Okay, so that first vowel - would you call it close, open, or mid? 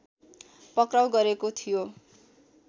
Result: mid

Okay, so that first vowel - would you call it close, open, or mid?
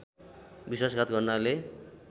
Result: close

